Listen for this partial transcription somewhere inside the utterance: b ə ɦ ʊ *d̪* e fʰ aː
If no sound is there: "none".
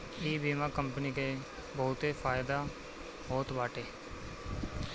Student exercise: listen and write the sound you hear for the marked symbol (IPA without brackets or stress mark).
t̪